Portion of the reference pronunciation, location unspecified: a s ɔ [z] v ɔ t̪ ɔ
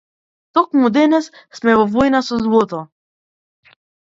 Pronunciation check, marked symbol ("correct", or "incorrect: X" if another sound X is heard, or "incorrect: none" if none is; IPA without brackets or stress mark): correct